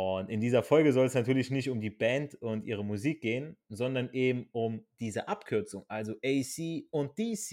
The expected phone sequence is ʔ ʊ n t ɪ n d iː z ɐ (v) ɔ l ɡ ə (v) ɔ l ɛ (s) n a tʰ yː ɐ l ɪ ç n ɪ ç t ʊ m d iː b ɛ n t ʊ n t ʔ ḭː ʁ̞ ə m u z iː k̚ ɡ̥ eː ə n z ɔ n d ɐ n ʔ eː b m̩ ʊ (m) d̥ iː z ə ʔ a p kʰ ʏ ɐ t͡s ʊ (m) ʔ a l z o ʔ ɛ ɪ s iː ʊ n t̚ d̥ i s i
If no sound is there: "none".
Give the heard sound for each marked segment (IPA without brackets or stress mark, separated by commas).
f, z, s, m, ŋ